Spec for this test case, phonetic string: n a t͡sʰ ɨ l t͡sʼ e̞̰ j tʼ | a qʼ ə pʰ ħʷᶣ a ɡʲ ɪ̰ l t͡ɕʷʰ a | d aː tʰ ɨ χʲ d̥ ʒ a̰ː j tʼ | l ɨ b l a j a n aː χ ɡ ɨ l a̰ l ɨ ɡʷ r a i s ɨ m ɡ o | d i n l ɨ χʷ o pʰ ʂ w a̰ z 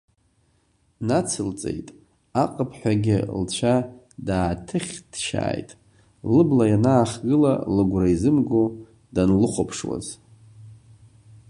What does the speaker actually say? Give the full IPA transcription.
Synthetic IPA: n a t͡sʰ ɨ l t͡sʼ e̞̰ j tʼ | a qʼ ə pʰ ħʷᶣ a ɡʲ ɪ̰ l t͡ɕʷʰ a | d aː tʰ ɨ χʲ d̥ ʃ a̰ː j tʼ | l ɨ b l a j a n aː χ ɡ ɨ l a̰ l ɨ ɡʷ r a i z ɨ m ɡ o | d a n l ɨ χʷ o pʰ ʂ w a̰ z

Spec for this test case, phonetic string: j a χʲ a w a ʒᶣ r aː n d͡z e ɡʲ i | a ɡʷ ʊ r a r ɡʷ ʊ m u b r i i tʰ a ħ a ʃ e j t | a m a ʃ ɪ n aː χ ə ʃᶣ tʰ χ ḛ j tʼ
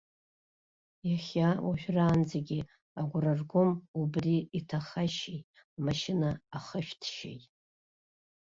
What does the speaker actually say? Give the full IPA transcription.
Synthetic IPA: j a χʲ a w a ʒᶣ r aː n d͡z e ɡʲ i | a ɡʷ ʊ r a r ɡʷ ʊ m u b r i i tʰ a χ a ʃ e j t | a m a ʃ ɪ n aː χ ə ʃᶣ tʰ ʃ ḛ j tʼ

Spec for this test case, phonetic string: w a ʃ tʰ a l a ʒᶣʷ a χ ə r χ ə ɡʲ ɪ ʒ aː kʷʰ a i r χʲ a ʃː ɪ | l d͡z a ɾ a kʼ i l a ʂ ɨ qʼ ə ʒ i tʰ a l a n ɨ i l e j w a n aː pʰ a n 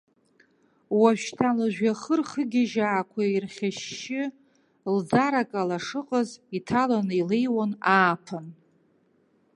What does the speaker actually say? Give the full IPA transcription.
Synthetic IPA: w a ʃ tʰ a l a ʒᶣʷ a χ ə r χ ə ɡʲ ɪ ʒ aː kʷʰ a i r χʲ a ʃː ɪ | l d͡z a ɾ a kʼ a l a ʂ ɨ qʼ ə z i tʰ a l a n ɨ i l e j w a n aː pʰ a n

